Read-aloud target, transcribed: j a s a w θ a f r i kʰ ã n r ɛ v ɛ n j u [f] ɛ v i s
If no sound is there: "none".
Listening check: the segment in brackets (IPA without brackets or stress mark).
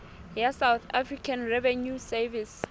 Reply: s